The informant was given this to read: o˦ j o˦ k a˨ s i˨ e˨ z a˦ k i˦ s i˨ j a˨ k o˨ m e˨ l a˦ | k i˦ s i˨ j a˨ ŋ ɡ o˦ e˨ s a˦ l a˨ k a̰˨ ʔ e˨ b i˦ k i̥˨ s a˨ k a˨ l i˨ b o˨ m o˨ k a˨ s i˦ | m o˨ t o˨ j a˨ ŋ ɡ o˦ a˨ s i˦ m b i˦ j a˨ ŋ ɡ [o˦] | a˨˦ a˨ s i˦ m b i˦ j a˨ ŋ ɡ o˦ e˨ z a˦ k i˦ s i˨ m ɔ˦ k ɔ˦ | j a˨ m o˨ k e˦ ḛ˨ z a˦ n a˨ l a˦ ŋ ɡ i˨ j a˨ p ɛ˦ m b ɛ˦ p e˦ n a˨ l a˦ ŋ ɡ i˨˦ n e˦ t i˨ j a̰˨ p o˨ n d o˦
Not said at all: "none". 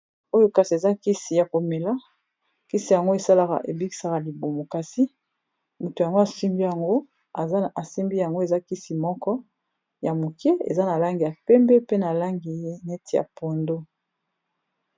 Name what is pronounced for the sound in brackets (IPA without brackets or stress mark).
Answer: o˦